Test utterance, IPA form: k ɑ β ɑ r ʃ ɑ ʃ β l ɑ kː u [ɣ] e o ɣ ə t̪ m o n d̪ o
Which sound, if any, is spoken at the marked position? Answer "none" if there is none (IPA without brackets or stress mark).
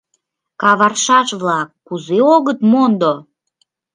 z